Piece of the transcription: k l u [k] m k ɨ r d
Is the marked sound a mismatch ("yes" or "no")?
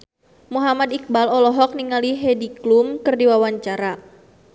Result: yes